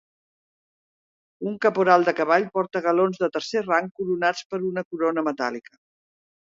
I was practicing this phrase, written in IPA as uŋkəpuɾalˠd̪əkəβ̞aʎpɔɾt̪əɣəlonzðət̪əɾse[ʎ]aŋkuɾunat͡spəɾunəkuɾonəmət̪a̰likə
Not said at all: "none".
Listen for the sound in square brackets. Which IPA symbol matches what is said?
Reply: r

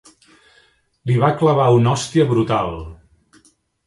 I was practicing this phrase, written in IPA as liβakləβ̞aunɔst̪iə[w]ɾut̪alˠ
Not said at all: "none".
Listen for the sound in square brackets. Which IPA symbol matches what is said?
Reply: β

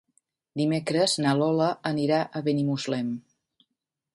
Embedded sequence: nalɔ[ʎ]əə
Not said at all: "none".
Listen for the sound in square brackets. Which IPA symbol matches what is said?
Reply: l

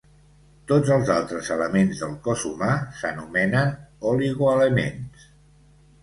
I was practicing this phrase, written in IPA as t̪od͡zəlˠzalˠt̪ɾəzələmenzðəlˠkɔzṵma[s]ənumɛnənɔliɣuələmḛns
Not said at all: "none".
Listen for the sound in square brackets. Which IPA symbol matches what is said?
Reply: s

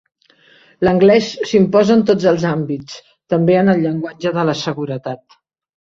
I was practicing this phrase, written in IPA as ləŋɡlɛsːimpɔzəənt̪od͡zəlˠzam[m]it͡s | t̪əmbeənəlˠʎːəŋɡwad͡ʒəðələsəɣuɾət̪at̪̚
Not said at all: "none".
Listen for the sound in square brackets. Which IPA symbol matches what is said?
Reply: b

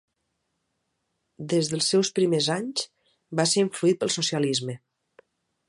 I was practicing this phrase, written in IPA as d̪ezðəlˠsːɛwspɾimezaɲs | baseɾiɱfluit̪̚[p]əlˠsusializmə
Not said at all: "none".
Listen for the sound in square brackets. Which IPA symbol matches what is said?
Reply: p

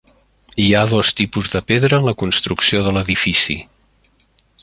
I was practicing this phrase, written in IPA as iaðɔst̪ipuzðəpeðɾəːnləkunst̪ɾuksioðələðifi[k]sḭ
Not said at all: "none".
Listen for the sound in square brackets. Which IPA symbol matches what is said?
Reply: none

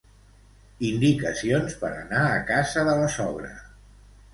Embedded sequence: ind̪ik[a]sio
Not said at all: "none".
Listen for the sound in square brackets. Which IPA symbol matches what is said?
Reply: ə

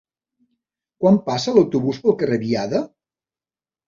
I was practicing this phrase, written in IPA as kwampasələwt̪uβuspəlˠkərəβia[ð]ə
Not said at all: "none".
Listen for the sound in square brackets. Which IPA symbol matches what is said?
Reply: ð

